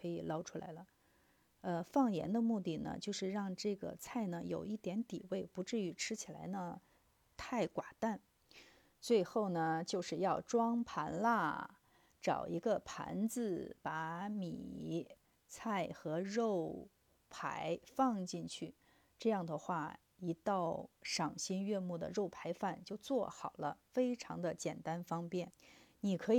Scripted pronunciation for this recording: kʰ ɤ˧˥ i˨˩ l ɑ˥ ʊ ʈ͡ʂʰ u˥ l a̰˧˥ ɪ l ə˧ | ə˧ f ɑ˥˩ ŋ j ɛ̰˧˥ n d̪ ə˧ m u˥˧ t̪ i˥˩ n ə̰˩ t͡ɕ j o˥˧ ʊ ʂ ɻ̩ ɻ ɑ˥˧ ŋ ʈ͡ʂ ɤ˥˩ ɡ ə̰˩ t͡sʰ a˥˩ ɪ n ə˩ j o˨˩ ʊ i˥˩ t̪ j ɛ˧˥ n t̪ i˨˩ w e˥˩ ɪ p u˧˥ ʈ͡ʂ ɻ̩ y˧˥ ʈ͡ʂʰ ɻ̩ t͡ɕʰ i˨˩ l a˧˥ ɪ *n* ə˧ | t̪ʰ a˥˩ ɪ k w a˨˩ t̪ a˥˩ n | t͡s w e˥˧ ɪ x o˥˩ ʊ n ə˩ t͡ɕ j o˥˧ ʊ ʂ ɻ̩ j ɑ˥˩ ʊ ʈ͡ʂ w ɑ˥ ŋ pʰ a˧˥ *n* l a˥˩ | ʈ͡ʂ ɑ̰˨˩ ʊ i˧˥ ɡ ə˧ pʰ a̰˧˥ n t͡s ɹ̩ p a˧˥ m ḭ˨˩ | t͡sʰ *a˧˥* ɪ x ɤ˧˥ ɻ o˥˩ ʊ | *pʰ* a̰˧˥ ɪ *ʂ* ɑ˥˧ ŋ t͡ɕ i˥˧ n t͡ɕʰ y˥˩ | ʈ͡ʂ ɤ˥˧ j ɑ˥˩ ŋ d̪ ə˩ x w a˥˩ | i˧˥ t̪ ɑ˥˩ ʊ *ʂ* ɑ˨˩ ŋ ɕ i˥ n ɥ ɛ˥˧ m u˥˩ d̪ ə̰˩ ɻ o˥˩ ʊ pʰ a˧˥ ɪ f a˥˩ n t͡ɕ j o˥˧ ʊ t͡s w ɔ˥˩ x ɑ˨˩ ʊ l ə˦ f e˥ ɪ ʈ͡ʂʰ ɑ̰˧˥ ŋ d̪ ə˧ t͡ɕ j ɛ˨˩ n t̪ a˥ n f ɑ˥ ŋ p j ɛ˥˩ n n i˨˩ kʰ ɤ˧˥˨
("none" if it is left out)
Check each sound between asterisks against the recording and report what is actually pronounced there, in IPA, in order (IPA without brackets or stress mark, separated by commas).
n, n, a˥˩, pʰ, f, ʂ